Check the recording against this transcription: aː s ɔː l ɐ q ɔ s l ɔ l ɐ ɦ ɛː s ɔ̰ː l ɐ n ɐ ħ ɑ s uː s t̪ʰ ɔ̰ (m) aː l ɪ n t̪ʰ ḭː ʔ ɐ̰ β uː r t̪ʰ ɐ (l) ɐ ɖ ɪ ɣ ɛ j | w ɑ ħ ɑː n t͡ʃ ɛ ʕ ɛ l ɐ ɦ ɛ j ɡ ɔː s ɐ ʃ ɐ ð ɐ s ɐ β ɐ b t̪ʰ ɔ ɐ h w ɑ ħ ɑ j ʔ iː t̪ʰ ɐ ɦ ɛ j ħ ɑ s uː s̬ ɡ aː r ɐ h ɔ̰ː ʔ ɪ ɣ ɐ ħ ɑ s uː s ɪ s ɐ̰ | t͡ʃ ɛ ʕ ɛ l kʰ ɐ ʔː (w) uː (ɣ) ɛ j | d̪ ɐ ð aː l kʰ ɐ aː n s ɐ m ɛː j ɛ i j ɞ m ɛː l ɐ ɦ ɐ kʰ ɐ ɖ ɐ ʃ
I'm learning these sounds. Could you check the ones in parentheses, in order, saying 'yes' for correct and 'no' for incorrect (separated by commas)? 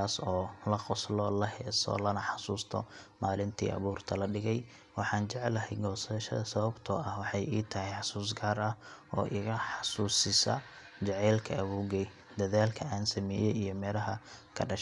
yes, yes, no, yes